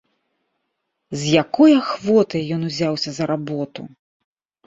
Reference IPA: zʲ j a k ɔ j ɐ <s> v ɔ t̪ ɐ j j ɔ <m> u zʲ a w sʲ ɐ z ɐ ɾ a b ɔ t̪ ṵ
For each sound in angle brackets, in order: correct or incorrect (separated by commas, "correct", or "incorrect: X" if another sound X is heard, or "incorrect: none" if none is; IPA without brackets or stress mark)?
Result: incorrect: x, incorrect: n